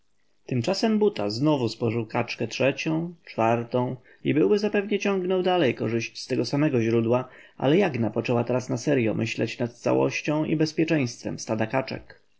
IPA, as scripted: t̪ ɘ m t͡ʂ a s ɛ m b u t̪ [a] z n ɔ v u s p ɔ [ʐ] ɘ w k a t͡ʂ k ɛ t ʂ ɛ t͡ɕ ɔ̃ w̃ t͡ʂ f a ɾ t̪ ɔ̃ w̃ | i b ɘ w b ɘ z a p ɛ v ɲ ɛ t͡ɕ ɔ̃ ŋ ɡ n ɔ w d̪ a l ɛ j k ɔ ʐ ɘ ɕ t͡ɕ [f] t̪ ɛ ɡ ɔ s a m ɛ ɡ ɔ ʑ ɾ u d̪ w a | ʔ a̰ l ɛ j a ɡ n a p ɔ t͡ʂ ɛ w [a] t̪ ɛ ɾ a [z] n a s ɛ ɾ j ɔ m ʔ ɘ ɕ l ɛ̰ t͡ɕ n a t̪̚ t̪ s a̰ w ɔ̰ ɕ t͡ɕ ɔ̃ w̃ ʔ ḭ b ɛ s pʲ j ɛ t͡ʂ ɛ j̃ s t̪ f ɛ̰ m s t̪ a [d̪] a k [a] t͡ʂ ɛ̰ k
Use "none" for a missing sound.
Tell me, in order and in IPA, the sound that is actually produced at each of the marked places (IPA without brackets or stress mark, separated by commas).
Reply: a, ʐ, s, a, s, d̪, a